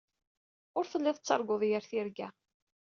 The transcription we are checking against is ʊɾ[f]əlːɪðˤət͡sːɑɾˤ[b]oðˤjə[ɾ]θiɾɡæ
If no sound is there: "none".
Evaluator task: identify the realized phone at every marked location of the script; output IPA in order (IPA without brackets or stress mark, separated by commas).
θ, ɡ, ɾ